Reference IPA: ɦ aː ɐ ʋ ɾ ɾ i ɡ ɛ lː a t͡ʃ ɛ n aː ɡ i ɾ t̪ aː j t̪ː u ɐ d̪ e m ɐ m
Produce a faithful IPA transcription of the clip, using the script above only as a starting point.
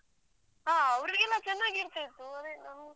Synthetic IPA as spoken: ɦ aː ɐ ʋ ɾ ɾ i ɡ ɛ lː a t͡ʃ ɛ nː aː ɡ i ɾ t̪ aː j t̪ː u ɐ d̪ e n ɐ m

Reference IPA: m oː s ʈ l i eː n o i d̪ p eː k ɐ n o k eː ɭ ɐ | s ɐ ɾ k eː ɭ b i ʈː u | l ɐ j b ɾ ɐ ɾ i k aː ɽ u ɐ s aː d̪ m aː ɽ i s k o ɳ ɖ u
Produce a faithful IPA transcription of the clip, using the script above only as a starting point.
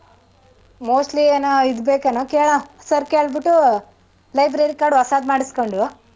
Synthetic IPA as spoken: m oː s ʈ l i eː n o i d̪ b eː k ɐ n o k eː ɭ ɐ | s ɐ ɾ k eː ɭ b i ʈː u | l ɐ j b ɾ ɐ ɾ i k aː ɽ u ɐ s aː d̪ m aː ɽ i s k o ɳ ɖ u

